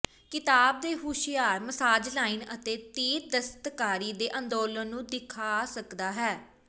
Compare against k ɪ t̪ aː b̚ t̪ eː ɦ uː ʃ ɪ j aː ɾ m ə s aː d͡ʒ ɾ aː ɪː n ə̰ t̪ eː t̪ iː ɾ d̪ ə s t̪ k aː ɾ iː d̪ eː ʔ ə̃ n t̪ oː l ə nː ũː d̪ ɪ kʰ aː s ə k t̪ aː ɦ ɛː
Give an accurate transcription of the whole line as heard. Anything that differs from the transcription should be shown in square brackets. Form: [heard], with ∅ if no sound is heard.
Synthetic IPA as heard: k ɪ t̪ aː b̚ [d̪] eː ɦ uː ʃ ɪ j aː ɾ m ə s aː d͡ʒ [l] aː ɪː n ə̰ t̪ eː t̪ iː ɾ d̪ ə s t̪ k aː ɾ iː d̪ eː ʔ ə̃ n [d̪] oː l ə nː ũː d̪ ɪ kʰ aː s ə k [d̪] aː ɦ ɛː

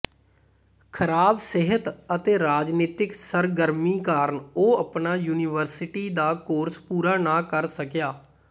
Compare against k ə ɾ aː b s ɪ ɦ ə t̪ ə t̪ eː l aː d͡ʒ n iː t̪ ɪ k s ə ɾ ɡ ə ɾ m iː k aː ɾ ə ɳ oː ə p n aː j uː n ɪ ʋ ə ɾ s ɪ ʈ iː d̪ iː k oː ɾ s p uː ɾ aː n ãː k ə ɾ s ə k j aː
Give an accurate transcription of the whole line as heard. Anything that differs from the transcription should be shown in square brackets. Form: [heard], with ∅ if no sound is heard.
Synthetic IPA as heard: [kʰ] ə ɾ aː b s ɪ ɦ ə t̪ ə t̪ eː [ɾ] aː d͡ʒ n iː t̪ ɪ k s ə ɾ ɡ ə ɾ m iː k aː ɾ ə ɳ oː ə p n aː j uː n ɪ ʋ ə ɾ s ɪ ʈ iː d̪ [aː] k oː ɾ s p uː ɾ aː n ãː k ə ɾ s ə k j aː

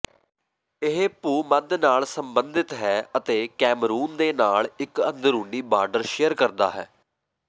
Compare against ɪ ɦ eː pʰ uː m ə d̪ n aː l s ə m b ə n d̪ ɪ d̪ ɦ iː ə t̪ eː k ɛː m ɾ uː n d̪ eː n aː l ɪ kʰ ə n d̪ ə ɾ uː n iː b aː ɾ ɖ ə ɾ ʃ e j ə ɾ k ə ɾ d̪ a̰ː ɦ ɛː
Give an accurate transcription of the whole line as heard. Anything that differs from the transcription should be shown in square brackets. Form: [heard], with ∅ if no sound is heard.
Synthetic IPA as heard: ɪ ɦ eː [p] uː m ə d̪ n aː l s ə m b ə n d̪ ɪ [t̪] ɦ [ɛː] ə t̪ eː k ɛː m ɾ uː n d̪ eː n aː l ɪ [k] ə n d̪ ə ɾ uː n iː b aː ɾ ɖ ə ɾ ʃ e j ə ɾ k ə ɾ d̪ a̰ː ɦ ɛː

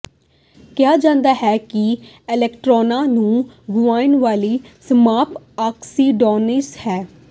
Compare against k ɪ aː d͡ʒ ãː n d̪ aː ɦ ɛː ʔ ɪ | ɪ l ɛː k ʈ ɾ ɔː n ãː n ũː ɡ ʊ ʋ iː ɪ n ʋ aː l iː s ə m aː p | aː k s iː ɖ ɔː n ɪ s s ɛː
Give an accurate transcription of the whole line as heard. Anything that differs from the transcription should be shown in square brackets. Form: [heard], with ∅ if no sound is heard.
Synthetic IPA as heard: k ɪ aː d͡ʒ ãː n d̪ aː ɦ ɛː [k] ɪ | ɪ l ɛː k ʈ ɾ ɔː n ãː n ũː ɡ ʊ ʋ [aː] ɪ n ʋ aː l iː s ə m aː p | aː k s iː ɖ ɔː n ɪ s [h] ɛː

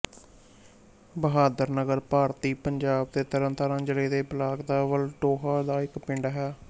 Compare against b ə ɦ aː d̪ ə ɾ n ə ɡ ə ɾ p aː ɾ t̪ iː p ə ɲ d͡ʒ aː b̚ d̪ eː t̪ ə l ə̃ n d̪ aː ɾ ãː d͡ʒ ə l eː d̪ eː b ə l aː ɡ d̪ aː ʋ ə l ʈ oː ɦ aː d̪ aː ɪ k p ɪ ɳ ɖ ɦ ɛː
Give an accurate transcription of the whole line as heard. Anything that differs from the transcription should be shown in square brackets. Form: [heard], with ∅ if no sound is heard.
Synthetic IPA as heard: b ə ɦ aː d̪ ə ɾ n ə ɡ ə ɾ p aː ɾ t̪ iː p ə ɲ d͡ʒ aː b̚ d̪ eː t̪ ə [ɾ] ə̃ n [t̪] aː ɾ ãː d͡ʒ ə l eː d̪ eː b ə l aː ɡ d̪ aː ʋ ə l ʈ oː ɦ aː d̪ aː ɪ k p ɪ ɳ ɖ ɦ ɛː

